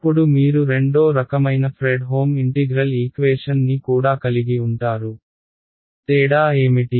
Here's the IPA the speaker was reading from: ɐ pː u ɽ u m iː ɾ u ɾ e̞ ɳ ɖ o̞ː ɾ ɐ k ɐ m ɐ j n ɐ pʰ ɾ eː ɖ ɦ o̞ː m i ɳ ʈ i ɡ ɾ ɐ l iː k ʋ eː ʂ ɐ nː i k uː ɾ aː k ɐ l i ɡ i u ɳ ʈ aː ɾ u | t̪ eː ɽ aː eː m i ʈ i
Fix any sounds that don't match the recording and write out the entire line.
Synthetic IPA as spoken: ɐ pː u ɽ u m iː ɾ u ɾ e̞ ɳ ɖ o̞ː ɾ ɐ k ɐ m ɐ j n ɐ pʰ ɾ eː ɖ ɦ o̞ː m i ɳ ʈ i ɡ ɾ ɐ l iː k ʋ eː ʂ ɐ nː i k uː ɽ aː k ɐ l i ɡ i u ɳ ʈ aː ɾ u | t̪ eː ɽ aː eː m i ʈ i